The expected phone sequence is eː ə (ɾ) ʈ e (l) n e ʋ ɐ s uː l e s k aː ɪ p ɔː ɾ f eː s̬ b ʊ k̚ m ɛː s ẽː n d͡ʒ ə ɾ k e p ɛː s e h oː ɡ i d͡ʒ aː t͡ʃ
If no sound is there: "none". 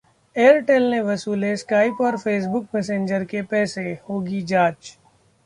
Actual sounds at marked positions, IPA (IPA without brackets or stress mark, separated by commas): ɾ, l